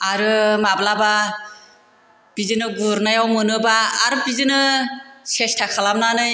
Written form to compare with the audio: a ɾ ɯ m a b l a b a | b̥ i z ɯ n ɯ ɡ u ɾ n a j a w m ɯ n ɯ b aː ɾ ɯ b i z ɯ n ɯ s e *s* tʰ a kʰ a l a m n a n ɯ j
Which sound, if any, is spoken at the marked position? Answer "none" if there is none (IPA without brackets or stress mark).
s